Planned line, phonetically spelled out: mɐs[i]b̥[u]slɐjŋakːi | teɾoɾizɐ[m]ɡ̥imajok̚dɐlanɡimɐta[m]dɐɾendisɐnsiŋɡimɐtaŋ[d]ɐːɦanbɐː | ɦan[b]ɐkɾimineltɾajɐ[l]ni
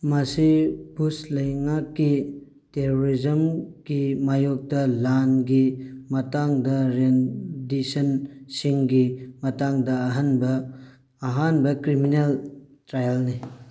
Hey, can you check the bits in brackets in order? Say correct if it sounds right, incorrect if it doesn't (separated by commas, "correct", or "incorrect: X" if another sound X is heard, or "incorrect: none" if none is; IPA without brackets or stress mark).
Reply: correct, correct, correct, incorrect: ŋ, correct, correct, correct